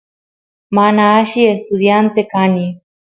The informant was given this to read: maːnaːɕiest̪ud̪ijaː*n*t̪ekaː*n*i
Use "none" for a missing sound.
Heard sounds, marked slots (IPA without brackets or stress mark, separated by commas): n, n